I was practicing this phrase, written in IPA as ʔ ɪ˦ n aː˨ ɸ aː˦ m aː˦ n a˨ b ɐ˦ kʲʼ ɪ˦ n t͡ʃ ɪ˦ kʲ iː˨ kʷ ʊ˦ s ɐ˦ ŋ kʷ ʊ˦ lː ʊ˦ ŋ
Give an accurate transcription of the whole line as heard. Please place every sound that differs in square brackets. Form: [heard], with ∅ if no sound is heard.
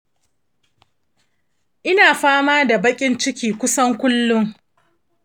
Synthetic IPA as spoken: ʔ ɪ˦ n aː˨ ɸ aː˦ m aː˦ [d] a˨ b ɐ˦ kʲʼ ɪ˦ n t͡ʃ ɪ˦ kʲ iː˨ kʷ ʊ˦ s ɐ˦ ŋ kʷ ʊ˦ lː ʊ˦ ŋ